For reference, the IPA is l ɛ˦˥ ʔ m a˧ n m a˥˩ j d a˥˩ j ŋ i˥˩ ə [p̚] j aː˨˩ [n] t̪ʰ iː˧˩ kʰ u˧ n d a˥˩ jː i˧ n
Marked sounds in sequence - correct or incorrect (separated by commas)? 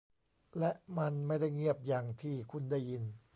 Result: correct, incorrect